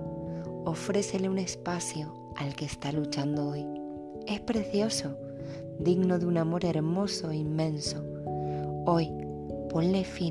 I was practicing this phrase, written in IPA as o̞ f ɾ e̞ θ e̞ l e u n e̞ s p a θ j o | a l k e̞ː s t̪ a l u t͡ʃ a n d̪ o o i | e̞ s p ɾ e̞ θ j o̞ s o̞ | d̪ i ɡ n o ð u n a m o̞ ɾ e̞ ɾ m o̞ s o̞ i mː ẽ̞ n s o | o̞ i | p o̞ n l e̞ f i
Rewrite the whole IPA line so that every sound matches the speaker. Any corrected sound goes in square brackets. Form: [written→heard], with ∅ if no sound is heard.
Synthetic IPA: o̞ f ɾ e̞ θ e̞ l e u n e̞ s p a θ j o | a l k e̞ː s t̪ a l u t͡ʃ a n d̪ o o [i→j] | e̞ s p ɾ e̞ θ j o̞ s o̞ | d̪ i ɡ n o ð u n a m o̞ ɾ e̞ ɾ m o̞ s o̞ i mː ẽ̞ n s o | o̞ [i→j] | p o̞ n l e̞ f i